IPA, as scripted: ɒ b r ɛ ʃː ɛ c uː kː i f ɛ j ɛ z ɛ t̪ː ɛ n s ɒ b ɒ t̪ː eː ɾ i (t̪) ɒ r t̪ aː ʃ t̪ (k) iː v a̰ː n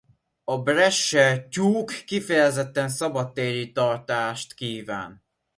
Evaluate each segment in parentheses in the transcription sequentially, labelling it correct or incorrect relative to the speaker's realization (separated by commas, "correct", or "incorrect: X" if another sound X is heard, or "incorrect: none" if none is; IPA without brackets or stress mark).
correct, correct